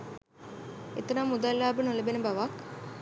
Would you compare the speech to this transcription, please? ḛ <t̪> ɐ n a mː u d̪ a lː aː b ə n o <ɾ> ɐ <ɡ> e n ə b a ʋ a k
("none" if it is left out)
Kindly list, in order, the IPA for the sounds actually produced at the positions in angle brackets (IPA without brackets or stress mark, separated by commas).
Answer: t̪, l, b